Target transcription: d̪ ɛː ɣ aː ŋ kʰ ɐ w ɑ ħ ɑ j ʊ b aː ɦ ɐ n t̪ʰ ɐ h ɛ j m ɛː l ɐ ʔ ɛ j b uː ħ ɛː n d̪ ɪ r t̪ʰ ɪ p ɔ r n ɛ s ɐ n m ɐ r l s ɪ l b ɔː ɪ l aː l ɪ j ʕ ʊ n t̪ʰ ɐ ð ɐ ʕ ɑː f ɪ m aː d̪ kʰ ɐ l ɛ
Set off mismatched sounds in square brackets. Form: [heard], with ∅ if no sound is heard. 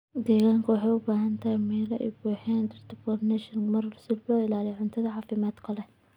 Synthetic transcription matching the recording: d̪ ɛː ɣ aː ŋ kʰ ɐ w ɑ ħ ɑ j ʊ b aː ɦ ɐ n t̪ʰ ɐ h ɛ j m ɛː l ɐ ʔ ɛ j b uː ħ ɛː n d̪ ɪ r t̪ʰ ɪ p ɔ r n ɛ [ʃ] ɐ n m ɐ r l s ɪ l b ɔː ɪ l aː l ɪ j ʕ ʊ n t̪ʰ ɐ ð ɐ ʕ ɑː f ɪ m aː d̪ kʰ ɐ l ɛ

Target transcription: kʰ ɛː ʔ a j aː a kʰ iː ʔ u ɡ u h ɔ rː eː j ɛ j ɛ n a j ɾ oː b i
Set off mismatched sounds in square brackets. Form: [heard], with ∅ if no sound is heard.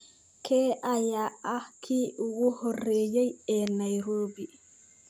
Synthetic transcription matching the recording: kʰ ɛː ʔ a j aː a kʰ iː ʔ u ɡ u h ɔ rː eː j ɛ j ɛ n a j ɾ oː b i

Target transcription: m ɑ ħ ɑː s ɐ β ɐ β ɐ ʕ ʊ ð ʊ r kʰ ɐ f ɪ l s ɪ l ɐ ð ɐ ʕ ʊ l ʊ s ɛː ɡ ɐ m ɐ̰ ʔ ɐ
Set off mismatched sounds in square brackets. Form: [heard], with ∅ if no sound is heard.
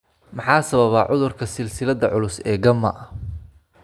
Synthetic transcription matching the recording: m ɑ ħ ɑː s ɐ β ɐ β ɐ ʕ ʊ ð ʊ r kʰ ɐ [s] ɪ l s ɪ l ɐ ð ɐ ʕ ʊ l ʊ s ɛː ɡ ɐ m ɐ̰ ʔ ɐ

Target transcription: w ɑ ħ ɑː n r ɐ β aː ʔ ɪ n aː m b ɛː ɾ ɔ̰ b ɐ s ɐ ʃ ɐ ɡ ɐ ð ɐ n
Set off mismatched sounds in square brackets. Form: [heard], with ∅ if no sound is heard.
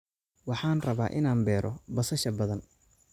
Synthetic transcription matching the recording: w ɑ ħ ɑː n r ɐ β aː ʔ ɪ n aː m b ɛː ɾ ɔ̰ b ɐ s ɐ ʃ ɐ [b] ɐ ð ɐ n

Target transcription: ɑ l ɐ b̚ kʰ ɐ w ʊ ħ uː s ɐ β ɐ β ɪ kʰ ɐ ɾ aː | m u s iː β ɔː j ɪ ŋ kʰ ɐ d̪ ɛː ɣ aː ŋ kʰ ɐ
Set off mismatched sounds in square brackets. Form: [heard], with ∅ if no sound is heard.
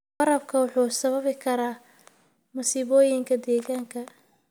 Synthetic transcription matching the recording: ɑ [ɾ] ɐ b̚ kʰ ɐ w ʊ ħ uː s ɐ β ɐ β ɪ kʰ ɐ ɾ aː | m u s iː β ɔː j ɪ ŋ kʰ ɐ d̪ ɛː ɣ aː ŋ kʰ ɐ

